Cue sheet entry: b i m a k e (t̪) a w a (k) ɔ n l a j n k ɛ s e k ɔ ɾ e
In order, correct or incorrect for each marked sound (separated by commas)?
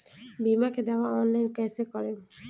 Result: incorrect, incorrect